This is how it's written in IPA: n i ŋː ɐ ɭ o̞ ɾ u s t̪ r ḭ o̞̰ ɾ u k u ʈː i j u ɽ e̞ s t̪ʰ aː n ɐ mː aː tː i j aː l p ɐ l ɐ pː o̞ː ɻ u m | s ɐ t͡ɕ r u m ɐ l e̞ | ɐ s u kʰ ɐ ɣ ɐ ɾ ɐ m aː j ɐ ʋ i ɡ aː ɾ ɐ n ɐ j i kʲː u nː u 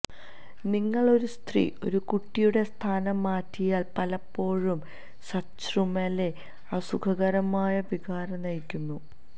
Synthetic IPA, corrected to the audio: n i ŋː ɐ ɭ o̞ ɾ u s t̪ r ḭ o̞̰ ɾ u k u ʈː i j u ɽ e̞ s t̪ʰ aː n ɐ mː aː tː i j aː l p ɐ l ɐ pː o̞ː ɻ u m | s ɐ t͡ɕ r u m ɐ l e̞ | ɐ s u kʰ ɐ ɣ ɐ ɾ ɐ m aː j ɐ ʋ i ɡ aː ɾ ɐ n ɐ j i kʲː u nː u

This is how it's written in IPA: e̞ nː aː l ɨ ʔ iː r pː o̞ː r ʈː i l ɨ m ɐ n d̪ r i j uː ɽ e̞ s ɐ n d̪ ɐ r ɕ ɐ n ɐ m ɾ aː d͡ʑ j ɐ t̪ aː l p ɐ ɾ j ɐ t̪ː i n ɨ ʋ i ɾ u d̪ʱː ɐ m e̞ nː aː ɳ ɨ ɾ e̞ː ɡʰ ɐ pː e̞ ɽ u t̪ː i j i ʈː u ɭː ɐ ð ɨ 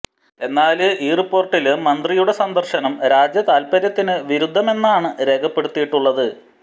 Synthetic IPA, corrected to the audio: e̞ nː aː l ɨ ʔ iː r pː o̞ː r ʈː i l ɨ m ɐ n d̪ r i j u ɽ e̞ s ɐ n d̪ ɐ r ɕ ɐ n ɐ m ɾ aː d͡ʑ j ɐ t̪ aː l p ɐ ɾ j ɐ t̪ː i n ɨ ʋ i ɾ u d̪ʱː ɐ m e̞ nː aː ɳ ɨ ɾ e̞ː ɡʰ ɐ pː e̞ ɽ u t̪ː i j i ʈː u ɭː ɐ ð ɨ

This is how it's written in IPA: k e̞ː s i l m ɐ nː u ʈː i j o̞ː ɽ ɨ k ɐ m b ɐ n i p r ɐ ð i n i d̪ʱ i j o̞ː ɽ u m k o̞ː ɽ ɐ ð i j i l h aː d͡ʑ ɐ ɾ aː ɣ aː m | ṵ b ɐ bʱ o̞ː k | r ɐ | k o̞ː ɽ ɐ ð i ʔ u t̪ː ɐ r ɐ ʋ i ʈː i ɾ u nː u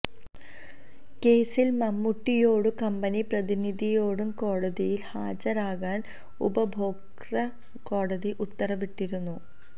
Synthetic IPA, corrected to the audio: k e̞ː s i l m ɐ mː u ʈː i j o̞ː ɽ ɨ k ɐ m b ɐ n i p r ɐ ð i n i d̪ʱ i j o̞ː ɽ u m k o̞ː ɽ ɐ ð i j i l h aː d͡ʑ ɐ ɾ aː ɣ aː n | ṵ b ɐ bʱ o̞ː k | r ɐ | k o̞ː ɽ ɐ ð i ʔ u t̪ː ɐ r ɐ ʋ i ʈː i ɾ u nː u

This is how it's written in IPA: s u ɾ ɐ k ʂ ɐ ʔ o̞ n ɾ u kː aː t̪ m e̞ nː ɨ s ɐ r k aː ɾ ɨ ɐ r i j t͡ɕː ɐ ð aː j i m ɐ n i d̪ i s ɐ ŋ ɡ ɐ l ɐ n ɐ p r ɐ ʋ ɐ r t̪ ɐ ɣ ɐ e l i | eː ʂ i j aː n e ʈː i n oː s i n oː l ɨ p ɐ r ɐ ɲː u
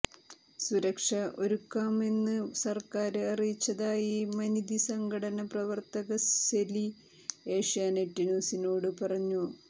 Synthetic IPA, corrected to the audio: s u ɾ ɐ k ʂ ɐ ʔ o̞ ɾ u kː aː m e̞ nː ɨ s ɐ r k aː ɾ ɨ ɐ r i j t͡ɕː ɐ ð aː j i m ɐ n i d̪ i s ɐ ŋ ɡ ɐ ɽ ɐ n ɐ p r ɐ ʋ ɐ r t̪ ɐ ɣ ɐ e l i | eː ʂ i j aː n e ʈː i n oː s i n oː ɽ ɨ p ɐ r ɐ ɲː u

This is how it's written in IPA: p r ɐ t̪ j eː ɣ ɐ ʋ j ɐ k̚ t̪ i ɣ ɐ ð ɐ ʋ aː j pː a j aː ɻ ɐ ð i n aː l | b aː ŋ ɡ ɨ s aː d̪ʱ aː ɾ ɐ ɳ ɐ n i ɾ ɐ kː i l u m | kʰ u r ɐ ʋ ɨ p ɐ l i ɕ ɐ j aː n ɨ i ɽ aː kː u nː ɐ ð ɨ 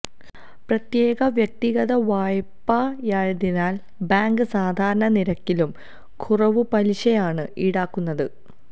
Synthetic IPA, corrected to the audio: p r ɐ t̪ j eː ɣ ɐ ʋ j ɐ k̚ t̪ i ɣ ɐ ð ɐ ʋ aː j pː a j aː ɻ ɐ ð i n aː l | b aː ŋ ɡ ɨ s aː d̪ʱ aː ɾ ɐ ɳ ɐ n i ɾ ɐ kː i l u m | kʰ u r ɐ ʋ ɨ p ɐ l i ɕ ɐ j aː ɳ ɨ i ɽ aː kː u nː ɐ ð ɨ

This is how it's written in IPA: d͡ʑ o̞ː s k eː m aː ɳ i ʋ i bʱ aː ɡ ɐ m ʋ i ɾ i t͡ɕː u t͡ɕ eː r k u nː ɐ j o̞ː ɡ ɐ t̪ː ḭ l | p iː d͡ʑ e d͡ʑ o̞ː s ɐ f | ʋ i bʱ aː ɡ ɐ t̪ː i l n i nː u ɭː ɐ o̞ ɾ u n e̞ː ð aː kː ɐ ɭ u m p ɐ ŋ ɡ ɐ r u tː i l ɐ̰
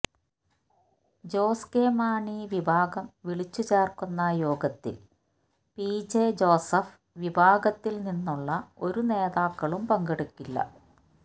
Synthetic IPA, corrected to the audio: d͡ʑ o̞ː s k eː m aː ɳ i ʋ i bʱ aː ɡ ɐ m ʋ i ɭ i t͡ɕː u t͡ɕ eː r k u nː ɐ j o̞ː ɡ ɐ t̪ː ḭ l | p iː d͡ʑ e d͡ʑ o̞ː s ɐ f | ʋ i bʱ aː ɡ ɐ t̪ː i l n i nː u ɭː ɐ o̞ ɾ u n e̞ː ð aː kː ɐ ɭ u m p ɐ ŋ ɡ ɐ ɽ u kː i lː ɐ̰

